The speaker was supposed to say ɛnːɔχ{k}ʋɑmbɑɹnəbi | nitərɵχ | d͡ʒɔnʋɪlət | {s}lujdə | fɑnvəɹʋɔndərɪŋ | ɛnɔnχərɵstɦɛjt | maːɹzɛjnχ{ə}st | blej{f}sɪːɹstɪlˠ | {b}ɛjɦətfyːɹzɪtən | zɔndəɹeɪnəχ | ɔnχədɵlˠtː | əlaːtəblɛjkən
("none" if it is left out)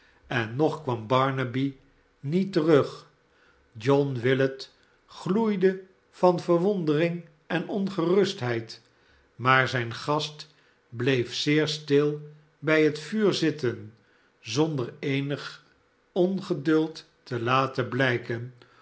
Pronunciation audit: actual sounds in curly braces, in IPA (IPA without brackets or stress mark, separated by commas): k, χ, ɑ, f, b